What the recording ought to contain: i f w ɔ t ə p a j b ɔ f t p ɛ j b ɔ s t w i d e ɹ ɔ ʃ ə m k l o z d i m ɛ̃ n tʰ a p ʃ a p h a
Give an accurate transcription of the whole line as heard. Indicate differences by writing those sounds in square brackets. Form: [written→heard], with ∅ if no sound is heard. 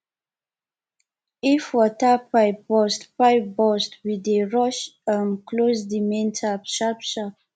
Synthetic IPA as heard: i f w ɔ t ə p a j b ɔ [f→s] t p [ɛ→a] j b ɔ s t w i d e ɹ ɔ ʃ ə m k l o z d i m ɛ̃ n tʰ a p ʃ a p [h→ʃ] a